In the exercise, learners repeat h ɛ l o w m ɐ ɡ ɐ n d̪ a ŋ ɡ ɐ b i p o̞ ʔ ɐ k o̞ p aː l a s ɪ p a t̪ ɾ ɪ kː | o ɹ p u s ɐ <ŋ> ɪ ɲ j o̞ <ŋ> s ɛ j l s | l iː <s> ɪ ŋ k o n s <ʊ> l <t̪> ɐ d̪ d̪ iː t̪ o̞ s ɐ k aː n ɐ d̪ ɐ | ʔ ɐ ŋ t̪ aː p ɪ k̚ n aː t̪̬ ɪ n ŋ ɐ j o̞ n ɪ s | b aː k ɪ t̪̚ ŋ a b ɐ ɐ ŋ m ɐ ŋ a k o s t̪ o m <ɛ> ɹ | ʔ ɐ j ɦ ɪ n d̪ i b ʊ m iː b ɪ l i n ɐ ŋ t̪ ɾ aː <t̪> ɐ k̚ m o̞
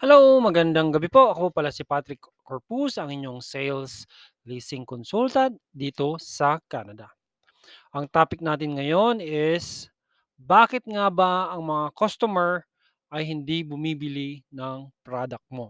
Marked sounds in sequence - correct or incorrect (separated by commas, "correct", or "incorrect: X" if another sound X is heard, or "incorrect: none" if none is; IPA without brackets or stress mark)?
correct, correct, correct, incorrect: u, correct, correct, incorrect: d̪